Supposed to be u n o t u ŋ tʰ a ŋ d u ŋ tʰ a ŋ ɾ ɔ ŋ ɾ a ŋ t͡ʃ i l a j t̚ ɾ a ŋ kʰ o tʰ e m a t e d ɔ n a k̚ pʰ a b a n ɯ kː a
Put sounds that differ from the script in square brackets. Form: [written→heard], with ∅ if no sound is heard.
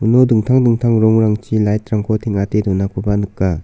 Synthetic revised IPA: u n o [t→d] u ŋ tʰ a ŋ d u ŋ tʰ a ŋ ɾ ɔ ŋ ɾ a ŋ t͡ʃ i l a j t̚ ɾ a ŋ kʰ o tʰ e [m→ŋ] a t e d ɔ n a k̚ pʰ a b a n ɯ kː a